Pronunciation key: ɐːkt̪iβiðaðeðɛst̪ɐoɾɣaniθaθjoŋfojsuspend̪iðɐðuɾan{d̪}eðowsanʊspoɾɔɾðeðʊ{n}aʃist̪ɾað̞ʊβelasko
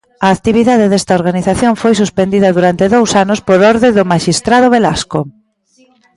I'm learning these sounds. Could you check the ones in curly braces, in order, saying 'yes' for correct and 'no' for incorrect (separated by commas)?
no, no